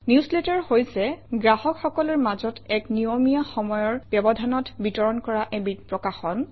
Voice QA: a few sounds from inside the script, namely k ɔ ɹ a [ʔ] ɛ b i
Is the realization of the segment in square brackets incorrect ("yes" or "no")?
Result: no